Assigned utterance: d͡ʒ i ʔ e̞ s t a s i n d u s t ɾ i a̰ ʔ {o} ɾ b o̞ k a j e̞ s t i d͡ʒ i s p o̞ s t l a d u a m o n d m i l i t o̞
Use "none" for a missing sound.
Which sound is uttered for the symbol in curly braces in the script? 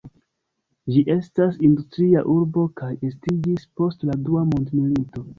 u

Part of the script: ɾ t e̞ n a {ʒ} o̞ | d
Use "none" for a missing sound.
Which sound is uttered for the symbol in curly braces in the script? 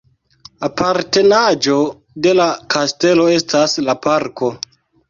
d͡ʒ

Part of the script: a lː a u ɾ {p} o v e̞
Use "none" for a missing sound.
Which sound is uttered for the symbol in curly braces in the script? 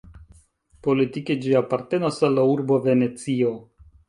b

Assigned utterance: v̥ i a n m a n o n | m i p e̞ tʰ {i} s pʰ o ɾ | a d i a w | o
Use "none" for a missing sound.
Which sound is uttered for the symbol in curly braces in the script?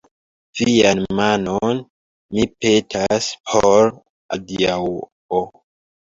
a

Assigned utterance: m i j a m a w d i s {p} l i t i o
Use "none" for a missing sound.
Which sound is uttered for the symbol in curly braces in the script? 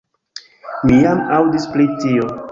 p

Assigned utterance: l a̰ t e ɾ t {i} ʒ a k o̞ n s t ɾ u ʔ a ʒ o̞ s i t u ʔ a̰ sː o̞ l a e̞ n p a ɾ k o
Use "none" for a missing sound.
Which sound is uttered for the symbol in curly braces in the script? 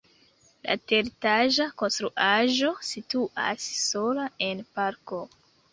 a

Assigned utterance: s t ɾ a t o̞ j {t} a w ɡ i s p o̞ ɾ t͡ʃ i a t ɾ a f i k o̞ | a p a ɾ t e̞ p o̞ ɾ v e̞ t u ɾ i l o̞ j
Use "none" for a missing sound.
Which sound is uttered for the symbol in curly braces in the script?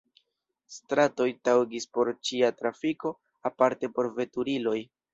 t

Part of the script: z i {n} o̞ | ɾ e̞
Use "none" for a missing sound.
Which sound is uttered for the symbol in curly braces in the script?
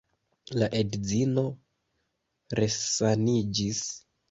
n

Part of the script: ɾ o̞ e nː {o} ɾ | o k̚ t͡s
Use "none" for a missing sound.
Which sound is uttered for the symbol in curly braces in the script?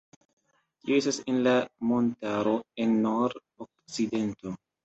o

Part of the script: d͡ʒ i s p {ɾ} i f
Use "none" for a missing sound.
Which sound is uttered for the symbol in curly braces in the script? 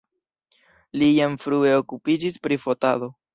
ɾ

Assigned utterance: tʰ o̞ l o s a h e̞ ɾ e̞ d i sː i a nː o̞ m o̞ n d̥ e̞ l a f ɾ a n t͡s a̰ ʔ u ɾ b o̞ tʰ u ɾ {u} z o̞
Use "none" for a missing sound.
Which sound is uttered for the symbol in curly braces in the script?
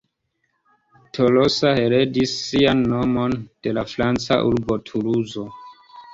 u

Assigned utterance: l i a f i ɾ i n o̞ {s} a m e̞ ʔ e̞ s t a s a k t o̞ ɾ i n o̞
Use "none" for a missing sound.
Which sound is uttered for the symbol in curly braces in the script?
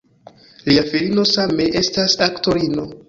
s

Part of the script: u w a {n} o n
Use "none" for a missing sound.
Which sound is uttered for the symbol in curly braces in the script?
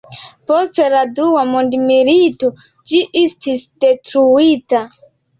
m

